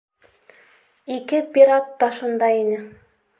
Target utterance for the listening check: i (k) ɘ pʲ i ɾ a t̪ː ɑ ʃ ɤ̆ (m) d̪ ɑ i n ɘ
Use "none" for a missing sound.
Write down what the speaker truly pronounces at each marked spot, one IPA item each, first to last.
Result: k, n

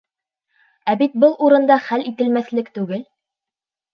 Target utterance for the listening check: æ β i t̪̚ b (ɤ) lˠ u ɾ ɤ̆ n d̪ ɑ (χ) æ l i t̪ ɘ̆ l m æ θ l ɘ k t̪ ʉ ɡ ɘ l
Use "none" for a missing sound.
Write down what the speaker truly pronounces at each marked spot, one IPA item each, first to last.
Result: ɤ, χ

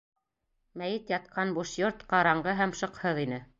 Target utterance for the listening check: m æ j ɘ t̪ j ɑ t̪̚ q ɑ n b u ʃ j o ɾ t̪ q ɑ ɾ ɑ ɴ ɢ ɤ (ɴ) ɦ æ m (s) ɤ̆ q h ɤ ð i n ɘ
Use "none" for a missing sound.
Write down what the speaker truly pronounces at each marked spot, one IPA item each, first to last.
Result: none, ʃ

